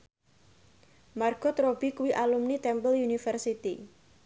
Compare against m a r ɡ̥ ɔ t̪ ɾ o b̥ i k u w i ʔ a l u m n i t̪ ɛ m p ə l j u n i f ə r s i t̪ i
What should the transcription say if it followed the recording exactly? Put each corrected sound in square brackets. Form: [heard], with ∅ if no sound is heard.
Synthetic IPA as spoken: m a r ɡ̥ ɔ t̪ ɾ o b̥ i k u w i ʔ a l u m n i t̪ ɛ m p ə l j u n i f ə r s i t̪ i

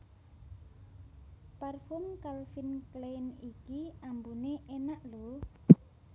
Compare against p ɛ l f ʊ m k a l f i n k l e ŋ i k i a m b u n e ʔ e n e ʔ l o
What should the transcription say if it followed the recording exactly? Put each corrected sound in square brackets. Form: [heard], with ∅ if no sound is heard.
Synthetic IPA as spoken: p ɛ [r] f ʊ m k a l f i n k l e [n] i k i a m b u n e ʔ e n [a] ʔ l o

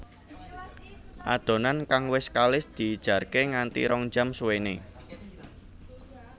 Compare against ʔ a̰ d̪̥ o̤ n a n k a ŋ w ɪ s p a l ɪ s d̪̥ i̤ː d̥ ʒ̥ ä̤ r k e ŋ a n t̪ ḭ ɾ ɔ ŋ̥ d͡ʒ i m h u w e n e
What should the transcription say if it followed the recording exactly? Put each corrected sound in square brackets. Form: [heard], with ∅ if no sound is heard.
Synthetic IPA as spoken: ʔ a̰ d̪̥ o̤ n a n k a ŋ w ɪ s [k] a l ɪ s d̪̥ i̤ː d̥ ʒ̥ ä̤ r k e ŋ a n t̪ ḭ ɾ ɔ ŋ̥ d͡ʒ [a] m [s] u w e n e

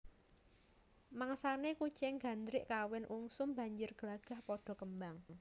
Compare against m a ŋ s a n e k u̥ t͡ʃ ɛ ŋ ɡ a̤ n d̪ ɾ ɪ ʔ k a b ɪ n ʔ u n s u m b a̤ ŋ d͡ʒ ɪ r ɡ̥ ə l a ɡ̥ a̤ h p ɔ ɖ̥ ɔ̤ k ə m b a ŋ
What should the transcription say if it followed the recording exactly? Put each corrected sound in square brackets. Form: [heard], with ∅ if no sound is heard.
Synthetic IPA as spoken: m a ŋ s a n e k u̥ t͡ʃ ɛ ŋ ɡ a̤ n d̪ ɾ ɪ ʔ k a [w] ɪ n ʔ u [ŋ] s [ʊ] m b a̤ [ɲ] d͡ʒ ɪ r ɡ̥ ə l a ɡ̥ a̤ h p ɔ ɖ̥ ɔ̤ k ə m b a ŋ

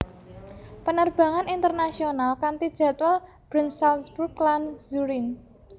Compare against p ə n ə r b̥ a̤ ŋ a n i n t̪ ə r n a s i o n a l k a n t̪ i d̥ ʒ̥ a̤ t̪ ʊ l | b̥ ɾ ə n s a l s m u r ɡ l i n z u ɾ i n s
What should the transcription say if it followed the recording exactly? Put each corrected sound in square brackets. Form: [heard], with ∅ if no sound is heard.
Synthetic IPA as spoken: p ə n ə r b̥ a̤ ŋ a n i n t̪ ə r n a s i o n a l k a n t̪ i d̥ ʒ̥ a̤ t̪ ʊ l | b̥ ɾ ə n s a l s [b] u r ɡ l [a] n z u ɾ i n s

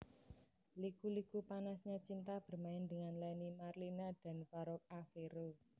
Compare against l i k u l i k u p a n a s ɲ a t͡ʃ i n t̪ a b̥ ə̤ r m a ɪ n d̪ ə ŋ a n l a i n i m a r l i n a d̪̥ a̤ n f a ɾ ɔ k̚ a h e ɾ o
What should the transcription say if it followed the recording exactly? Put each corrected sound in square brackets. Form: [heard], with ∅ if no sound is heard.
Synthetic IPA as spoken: l i k u l i k u p a n a s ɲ a t͡ʃ i n t̪ a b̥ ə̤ r m a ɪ n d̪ ə ŋ a n l a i n i m a r l i n a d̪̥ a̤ n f a ɾ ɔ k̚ a [f] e ɾ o

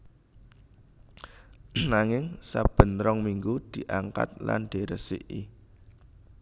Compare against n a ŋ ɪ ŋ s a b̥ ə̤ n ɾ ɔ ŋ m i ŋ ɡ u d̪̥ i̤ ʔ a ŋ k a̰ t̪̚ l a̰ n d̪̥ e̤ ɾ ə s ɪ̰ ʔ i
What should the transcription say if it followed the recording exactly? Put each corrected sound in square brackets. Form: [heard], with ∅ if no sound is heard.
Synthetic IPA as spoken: n a ŋ ɪ ŋ s a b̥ ə̤ n ɾ ɔ ŋ m i ŋ ɡ u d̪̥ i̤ ʔ a ŋ k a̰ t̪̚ l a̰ n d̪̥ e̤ ɾ ə s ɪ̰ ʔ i

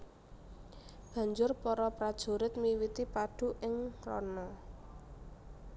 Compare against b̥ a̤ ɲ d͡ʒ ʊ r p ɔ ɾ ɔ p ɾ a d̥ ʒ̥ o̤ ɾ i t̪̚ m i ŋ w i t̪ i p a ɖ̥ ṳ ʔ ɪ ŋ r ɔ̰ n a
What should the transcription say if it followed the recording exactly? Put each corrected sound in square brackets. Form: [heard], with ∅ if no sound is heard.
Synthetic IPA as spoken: b̥ a̤ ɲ d͡ʒ ʊ r p ɔ ɾ ɔ p ɾ a d̥ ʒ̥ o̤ ɾ [ɪ] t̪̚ m i [∅] w i t̪ i p a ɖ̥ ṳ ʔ ɪ ŋ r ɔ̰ n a

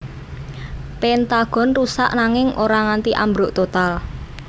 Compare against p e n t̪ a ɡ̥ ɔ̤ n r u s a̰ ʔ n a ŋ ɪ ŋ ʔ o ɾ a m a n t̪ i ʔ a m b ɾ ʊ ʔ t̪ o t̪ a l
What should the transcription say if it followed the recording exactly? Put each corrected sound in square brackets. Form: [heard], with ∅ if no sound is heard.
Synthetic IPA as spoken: p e n t̪ a ɡ̥ ɔ̤ n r u s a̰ ʔ n a ŋ ɪ ŋ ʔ o ɾ a [ŋ] a n t̪ i ʔ a m b ɾ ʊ ʔ t̪ o t̪ a l

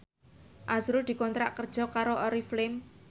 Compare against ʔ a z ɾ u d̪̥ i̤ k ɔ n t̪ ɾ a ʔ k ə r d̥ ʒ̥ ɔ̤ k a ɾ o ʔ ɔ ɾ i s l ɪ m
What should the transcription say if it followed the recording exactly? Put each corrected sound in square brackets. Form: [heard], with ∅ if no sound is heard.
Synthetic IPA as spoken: ʔ a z ɾ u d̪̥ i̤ k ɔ n t̪ ɾ a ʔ k ə r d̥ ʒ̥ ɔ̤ k a ɾ o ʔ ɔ ɾ i [f] l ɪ m

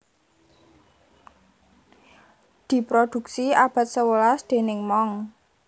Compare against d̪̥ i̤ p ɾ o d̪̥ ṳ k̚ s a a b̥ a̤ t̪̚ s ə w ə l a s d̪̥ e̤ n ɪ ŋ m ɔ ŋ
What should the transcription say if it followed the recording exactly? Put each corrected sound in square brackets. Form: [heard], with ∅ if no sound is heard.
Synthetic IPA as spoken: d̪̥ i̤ p ɾ o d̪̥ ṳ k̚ s [i] a b̥ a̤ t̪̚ s ə w ə l a s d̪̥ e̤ n ɪ ŋ m ɔ ŋ

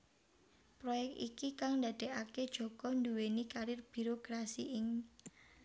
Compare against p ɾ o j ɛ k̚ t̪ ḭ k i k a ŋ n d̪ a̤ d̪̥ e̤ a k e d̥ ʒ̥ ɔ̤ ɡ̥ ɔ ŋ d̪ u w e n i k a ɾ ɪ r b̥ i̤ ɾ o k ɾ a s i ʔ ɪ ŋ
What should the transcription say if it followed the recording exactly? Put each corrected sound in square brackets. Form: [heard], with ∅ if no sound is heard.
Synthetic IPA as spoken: p ɾ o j ɛ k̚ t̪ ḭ k i k a ŋ n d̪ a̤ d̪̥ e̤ a k e d̥ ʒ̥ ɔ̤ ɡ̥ ɔ [n] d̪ u w e n i k a ɾ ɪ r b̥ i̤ ɾ o k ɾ a s i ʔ ɪ ŋ

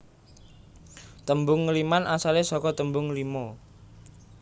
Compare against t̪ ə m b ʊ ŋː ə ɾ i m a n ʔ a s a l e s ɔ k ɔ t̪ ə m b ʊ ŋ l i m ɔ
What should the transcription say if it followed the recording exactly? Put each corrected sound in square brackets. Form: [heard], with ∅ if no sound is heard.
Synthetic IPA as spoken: t̪ ə m b ʊ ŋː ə [l] i m a n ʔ a s a l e s ɔ k ɔ t̪ ə m b ʊ ŋ l i m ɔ

